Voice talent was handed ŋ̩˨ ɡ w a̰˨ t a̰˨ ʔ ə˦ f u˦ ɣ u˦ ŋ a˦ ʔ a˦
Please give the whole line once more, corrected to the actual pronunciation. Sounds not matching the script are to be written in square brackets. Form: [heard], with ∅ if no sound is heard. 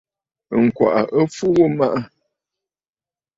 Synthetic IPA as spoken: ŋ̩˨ [k] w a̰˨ [ʔ] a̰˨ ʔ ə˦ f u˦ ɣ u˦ [m] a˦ ʔ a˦